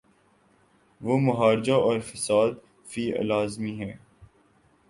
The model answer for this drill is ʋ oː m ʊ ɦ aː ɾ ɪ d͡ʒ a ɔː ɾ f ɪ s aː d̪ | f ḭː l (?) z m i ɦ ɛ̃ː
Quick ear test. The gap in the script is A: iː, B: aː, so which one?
B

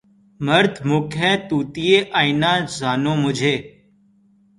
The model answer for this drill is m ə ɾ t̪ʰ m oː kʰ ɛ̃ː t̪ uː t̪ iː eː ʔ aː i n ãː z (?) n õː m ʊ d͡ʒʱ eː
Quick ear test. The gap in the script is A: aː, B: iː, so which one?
A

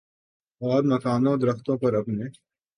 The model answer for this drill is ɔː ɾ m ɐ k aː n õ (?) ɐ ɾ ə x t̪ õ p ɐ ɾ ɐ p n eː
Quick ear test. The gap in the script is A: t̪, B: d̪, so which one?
B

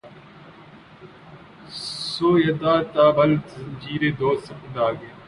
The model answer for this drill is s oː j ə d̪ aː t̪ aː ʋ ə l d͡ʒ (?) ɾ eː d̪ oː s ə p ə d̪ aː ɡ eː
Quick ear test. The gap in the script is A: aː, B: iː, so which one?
B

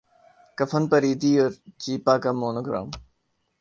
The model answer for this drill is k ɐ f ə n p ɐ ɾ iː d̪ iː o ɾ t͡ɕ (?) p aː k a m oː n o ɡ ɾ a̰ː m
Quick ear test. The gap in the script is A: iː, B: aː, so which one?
A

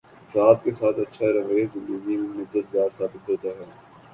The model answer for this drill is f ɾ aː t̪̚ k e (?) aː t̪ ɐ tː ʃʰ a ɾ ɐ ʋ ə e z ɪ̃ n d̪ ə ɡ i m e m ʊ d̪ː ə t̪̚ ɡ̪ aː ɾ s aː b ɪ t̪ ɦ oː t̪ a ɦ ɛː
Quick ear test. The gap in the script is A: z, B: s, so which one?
B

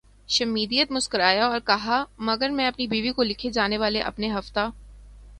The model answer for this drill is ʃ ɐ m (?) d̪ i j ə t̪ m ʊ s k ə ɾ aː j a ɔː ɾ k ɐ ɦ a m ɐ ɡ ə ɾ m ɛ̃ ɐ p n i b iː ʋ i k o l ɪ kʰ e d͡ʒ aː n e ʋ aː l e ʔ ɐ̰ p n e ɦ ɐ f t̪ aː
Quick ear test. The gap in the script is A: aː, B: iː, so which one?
B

